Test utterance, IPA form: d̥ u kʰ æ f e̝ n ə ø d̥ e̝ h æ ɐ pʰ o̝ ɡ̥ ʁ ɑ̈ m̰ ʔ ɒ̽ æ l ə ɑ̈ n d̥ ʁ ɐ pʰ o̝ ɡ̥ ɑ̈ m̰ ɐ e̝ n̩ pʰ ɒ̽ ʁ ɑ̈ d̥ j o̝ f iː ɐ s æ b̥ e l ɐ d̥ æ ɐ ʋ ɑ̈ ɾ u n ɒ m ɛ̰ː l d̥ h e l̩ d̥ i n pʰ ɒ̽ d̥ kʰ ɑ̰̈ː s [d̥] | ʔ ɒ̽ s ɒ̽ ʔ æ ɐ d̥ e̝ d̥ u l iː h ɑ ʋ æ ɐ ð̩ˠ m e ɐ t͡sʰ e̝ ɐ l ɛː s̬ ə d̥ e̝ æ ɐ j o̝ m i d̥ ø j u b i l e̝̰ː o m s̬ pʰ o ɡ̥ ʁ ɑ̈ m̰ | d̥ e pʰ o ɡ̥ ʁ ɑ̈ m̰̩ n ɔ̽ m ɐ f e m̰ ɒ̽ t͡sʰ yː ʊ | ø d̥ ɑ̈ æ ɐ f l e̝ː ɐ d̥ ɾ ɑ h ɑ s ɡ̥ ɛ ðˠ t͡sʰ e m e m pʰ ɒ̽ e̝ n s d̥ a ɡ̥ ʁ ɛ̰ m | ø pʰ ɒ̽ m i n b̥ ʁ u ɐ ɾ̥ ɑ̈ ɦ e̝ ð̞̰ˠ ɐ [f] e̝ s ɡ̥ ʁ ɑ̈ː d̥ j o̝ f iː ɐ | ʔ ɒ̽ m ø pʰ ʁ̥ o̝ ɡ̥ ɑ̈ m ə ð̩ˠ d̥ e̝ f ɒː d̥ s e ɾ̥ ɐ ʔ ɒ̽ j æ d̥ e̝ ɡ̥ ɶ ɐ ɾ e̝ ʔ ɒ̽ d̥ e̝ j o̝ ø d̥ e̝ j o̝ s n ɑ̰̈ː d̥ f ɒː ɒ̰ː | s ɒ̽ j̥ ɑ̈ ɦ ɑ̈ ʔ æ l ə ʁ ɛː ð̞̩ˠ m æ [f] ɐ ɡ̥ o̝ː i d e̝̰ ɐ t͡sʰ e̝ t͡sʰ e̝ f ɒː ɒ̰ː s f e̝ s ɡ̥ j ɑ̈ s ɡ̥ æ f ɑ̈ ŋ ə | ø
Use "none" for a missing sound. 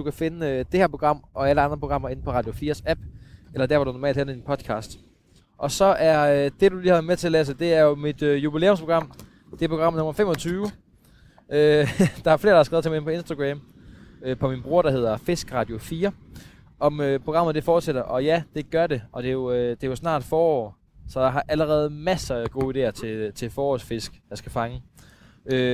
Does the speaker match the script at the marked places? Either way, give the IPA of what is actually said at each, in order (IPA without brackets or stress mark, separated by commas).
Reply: d̥, f, s